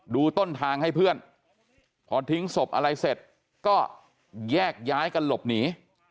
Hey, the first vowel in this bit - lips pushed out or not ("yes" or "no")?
yes